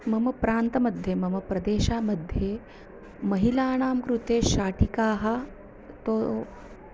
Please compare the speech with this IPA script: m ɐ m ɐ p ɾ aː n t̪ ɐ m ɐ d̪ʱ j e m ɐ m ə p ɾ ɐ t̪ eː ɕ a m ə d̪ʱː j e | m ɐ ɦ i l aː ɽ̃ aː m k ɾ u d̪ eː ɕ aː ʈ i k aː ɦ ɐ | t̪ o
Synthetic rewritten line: m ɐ m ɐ p ɾ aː n t̪ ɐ m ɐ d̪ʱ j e m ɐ m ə p ɾ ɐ d̪ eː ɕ a m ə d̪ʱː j e | m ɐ ɦ i l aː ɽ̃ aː m k ɾ u t̪ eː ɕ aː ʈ i k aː ɦ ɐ | t̪ o